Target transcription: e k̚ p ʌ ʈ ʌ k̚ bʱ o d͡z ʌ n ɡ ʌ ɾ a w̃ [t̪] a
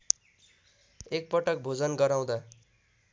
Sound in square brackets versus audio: incorrect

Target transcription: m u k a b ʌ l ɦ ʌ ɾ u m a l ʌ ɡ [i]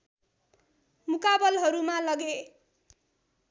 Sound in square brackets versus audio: incorrect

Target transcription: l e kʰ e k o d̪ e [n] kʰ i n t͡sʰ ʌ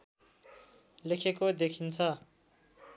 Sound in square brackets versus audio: incorrect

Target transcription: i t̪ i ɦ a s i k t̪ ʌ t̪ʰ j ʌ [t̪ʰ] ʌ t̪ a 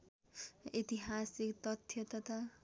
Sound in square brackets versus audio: incorrect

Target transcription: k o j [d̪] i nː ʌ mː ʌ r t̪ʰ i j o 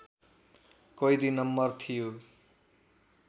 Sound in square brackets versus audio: correct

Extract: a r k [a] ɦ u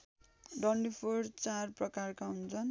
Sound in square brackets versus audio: correct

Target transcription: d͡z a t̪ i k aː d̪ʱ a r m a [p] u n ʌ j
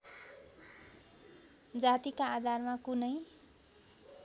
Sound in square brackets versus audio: incorrect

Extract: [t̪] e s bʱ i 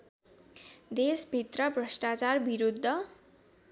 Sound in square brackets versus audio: incorrect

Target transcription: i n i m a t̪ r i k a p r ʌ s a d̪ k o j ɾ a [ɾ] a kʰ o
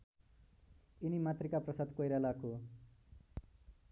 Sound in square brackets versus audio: incorrect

